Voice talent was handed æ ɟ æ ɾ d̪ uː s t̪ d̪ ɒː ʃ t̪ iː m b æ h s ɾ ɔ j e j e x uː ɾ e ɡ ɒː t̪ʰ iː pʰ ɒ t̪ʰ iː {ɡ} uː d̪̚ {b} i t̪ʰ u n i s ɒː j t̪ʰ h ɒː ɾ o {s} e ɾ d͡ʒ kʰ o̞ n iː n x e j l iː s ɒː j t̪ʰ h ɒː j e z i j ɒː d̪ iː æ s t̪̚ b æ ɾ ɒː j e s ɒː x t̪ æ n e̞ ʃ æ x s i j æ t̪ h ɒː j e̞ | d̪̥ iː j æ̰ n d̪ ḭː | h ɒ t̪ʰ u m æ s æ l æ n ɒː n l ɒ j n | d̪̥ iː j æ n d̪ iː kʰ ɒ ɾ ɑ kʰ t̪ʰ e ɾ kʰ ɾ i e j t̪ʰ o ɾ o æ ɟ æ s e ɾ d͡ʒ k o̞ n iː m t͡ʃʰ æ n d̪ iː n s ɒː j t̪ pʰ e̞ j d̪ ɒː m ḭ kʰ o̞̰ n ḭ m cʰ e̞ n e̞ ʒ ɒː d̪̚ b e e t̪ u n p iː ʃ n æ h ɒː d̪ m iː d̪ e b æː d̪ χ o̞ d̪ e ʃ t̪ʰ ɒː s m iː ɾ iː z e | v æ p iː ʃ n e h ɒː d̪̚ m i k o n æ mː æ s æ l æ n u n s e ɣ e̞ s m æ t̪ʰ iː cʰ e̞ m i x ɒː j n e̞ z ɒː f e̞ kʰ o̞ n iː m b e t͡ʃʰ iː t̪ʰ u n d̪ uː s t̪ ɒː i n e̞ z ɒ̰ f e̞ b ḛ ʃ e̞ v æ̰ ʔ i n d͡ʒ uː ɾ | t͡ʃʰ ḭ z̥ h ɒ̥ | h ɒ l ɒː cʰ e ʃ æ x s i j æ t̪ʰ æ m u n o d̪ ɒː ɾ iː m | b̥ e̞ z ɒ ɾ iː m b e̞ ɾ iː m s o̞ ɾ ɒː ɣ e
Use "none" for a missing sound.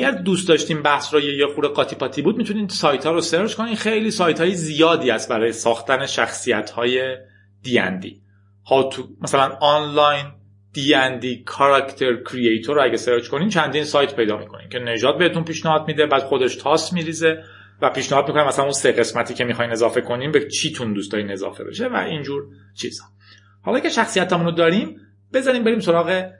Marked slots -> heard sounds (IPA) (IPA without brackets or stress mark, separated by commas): b, m, s